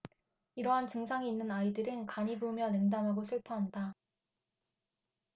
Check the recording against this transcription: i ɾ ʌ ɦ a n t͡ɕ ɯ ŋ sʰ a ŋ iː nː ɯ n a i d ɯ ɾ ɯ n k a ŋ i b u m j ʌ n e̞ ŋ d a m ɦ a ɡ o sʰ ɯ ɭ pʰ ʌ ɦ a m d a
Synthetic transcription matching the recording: i ɾ ʌ ɦ a n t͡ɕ ɯ ŋ sʰ a ŋ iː nː ɯ n a i d ɯ ɾ ɯ n k a ɲ i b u m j ʌ n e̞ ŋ d a m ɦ a ɡ o sʰ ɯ ɭ pʰ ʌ ɦ a n d a